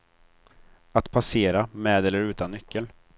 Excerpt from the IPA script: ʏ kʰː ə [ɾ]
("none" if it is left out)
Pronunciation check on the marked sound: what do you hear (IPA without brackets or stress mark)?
l